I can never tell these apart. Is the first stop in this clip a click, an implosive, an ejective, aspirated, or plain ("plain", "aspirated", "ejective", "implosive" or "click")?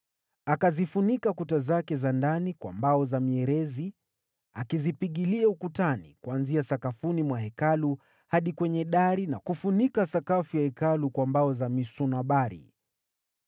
plain